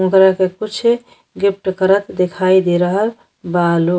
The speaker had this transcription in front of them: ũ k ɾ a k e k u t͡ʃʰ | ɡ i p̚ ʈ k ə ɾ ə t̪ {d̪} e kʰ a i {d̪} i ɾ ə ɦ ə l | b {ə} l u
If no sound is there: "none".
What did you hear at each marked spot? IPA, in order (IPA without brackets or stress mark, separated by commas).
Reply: d̪, d̪, a